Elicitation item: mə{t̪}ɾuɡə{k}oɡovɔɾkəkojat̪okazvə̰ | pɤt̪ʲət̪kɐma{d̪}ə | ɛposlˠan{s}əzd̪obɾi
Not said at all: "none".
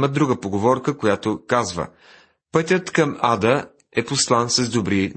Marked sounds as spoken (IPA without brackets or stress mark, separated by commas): d̪, p, d̪, s